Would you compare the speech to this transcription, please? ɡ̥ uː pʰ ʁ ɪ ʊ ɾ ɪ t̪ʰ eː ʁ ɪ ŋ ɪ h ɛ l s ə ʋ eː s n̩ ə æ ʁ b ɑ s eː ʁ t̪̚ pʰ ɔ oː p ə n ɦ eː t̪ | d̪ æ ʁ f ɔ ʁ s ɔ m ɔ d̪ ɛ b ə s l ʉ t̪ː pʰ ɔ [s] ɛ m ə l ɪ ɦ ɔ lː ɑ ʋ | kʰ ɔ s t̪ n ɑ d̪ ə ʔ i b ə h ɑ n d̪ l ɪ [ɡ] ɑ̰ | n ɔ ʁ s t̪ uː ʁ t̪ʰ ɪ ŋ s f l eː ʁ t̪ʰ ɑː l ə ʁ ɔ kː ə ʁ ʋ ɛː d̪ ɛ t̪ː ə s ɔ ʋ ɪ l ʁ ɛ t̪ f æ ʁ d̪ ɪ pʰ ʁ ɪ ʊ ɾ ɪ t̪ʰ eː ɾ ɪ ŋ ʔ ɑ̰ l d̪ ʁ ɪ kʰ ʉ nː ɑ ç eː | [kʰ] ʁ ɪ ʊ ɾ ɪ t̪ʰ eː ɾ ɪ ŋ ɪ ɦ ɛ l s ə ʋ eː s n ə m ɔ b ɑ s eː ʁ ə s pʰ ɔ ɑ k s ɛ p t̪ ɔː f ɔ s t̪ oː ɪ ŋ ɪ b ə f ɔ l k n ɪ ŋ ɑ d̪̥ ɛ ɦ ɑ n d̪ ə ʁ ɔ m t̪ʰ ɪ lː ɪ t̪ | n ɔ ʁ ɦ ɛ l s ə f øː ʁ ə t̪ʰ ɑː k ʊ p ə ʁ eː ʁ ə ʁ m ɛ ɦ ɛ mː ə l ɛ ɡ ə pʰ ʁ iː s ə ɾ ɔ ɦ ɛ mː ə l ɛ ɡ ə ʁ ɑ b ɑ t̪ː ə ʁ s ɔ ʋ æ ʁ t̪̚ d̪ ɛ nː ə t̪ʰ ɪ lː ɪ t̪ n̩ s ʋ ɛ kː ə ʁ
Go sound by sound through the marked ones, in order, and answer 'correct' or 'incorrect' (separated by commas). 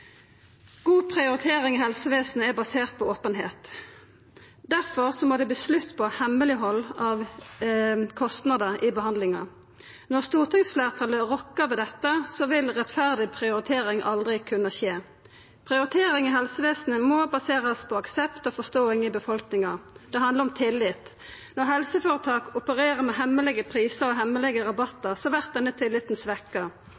incorrect, incorrect, incorrect